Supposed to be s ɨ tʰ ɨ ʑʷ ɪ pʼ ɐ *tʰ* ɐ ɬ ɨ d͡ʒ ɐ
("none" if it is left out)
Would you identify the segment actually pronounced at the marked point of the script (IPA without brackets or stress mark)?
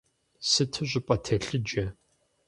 tʰ